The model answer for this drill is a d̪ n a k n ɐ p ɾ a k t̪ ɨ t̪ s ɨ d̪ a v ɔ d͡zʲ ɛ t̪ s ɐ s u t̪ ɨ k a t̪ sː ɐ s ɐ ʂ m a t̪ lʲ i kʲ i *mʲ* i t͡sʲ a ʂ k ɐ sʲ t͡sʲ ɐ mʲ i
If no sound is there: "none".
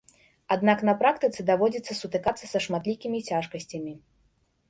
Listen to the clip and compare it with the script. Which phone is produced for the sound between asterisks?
mʲ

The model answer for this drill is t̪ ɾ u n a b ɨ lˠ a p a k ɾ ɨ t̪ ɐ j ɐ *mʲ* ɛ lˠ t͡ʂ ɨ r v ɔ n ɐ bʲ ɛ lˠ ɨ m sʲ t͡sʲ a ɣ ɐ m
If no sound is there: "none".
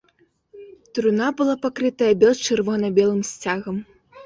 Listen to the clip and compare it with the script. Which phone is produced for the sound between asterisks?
bʲ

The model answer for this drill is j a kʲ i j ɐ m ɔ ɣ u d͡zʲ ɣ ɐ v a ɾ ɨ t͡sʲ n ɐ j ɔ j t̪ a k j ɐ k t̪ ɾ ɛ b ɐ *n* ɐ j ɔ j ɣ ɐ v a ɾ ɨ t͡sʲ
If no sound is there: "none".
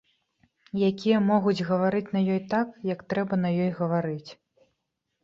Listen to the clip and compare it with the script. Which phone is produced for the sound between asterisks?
n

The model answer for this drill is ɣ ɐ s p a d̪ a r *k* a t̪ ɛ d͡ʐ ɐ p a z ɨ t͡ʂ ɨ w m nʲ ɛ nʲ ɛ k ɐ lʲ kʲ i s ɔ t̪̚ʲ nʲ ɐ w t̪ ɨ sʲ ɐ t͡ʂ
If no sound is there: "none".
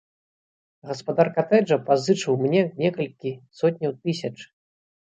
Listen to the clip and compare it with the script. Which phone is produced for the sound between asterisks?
k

